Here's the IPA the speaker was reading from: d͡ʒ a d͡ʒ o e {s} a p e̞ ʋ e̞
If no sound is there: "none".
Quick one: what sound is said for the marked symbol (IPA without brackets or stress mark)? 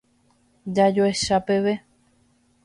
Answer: ʃ